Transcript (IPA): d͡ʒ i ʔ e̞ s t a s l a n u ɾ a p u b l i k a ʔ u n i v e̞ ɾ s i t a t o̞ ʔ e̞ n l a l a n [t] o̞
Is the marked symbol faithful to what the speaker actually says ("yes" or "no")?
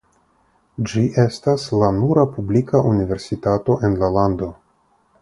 no